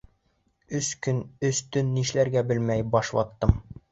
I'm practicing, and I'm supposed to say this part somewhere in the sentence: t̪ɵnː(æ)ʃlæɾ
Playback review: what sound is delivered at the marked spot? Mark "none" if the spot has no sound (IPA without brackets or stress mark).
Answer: i